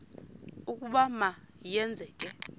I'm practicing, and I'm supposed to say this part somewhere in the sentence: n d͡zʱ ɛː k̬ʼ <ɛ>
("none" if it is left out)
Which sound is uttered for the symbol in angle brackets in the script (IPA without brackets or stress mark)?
ɛ